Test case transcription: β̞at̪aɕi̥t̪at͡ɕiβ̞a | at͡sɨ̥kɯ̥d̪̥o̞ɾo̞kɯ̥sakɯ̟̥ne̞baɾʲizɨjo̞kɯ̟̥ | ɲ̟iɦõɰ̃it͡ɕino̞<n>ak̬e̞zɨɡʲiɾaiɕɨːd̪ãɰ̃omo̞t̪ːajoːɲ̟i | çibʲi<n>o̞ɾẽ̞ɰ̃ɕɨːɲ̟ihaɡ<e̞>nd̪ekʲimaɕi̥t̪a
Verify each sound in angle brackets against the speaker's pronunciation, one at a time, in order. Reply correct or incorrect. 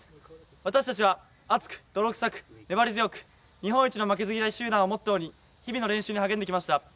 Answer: incorrect, correct, incorrect

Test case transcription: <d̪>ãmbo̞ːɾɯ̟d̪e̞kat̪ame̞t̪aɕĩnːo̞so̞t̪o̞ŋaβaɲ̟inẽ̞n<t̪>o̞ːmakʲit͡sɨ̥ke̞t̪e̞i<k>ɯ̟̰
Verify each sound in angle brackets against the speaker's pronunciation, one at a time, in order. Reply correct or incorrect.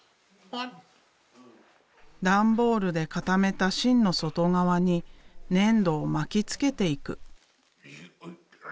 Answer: correct, incorrect, correct

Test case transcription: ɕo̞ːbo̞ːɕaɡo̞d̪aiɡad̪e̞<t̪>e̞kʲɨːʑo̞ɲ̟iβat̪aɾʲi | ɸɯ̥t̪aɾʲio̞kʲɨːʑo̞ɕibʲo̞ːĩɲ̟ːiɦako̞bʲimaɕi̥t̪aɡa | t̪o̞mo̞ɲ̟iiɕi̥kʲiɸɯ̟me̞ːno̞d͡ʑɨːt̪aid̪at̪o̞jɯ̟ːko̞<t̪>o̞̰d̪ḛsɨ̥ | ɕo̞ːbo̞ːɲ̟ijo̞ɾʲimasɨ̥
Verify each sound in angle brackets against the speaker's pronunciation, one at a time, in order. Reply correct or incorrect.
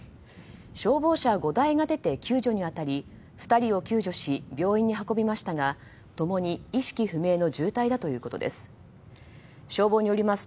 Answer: correct, correct

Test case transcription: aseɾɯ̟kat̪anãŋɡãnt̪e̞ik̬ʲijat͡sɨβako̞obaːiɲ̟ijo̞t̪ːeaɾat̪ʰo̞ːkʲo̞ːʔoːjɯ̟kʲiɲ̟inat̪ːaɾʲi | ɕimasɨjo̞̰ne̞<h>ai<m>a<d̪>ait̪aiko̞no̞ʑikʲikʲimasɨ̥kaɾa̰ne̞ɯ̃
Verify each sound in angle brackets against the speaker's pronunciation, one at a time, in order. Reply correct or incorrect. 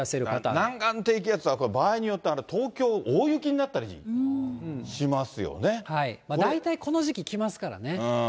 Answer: correct, correct, correct

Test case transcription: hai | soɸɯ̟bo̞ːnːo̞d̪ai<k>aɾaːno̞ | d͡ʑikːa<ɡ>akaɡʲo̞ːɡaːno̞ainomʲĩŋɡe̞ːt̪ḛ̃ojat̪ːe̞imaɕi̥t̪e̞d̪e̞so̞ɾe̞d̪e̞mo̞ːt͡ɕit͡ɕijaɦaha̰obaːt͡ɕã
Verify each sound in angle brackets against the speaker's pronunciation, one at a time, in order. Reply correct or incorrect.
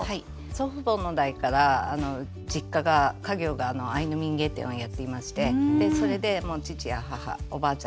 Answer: correct, correct

